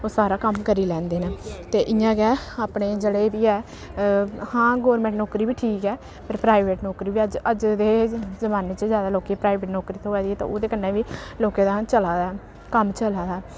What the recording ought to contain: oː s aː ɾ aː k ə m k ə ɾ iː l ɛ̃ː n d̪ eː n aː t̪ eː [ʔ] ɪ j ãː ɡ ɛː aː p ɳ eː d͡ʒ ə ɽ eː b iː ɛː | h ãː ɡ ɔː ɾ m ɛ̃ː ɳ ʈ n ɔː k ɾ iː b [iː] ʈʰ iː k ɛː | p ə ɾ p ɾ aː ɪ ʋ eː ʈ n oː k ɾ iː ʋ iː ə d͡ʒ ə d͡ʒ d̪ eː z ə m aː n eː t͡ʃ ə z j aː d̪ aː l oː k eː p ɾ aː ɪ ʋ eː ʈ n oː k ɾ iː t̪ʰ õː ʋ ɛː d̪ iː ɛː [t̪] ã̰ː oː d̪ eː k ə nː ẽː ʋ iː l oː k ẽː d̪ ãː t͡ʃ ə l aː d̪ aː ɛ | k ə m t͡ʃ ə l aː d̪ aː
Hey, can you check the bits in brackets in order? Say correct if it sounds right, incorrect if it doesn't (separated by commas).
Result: correct, correct, correct